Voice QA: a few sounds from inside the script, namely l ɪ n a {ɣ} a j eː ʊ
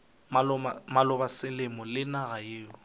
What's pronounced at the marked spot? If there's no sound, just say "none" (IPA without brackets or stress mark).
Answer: ɣ